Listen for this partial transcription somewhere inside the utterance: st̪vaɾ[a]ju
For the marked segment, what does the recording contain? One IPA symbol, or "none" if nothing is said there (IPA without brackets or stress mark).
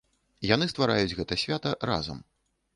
a